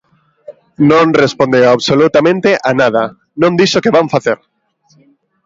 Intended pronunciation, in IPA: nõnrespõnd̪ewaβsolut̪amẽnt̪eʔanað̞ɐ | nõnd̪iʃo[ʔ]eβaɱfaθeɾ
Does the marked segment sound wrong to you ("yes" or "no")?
yes